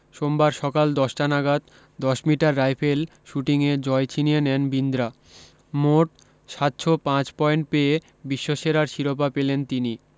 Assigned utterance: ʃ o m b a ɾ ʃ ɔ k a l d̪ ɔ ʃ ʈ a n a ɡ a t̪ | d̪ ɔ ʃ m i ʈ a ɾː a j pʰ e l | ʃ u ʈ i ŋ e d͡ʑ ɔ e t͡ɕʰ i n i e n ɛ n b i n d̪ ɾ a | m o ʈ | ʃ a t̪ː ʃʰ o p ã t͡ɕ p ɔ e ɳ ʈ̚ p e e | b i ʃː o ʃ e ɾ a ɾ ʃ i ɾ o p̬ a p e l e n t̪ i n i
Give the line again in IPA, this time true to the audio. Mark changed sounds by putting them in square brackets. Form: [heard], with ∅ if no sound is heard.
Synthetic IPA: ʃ o m b a ɾ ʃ ɔ k a l d̪ ɔ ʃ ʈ a n a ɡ a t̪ | d̪ ɔ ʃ m i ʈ a ɾː a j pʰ e l | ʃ u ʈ i ŋ e d͡ʑ ɔ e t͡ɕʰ i n i e n ɛ n b i n d̪ ɾ a | m o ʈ | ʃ a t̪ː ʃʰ o p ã t͡ɕ p ɔ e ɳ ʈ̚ p e e | b i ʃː o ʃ e ɾ a ɾ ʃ i ɾ o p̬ a p e l e n t̪ i n i